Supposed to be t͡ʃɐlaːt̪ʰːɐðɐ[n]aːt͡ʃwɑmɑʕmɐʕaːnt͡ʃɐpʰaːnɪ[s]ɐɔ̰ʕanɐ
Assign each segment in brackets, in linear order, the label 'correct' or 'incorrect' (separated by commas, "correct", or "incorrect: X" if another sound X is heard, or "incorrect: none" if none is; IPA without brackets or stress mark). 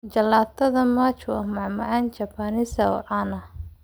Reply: incorrect: m, correct